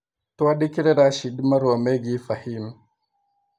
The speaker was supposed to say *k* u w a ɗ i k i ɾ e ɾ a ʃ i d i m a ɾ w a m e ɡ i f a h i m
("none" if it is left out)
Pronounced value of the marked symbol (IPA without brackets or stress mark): t